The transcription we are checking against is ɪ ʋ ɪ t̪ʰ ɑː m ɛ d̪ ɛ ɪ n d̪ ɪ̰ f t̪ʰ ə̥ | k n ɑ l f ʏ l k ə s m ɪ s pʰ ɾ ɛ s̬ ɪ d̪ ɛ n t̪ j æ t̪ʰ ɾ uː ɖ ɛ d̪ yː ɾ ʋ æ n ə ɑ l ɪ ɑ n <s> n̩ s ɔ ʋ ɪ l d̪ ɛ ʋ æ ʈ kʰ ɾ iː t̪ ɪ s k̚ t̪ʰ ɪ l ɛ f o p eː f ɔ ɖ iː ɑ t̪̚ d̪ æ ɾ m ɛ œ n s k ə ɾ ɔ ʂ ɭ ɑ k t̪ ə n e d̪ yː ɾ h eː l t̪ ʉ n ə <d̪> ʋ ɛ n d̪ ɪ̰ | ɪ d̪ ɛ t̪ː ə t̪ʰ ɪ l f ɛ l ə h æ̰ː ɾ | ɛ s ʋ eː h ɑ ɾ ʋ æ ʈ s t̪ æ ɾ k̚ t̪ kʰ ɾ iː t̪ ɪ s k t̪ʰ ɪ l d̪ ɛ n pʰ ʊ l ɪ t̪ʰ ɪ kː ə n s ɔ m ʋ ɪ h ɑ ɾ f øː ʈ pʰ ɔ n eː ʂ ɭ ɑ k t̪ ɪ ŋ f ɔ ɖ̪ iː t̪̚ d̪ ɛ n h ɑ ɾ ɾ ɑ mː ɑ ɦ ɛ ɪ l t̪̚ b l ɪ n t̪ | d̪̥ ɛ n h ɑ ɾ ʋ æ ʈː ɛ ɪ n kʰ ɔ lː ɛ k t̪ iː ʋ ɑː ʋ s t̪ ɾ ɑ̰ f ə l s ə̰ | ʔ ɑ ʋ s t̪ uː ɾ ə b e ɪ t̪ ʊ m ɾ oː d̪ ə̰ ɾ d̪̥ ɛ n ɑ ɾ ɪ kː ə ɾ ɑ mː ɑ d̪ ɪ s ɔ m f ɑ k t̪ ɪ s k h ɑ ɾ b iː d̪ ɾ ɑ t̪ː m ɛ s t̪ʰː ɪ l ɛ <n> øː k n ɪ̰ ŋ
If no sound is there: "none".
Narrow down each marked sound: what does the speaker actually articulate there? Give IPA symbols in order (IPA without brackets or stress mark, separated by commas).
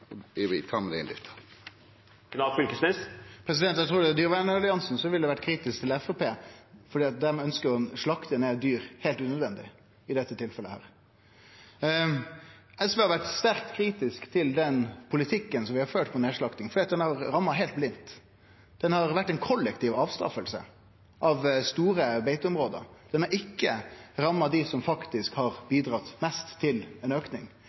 s, d̪, n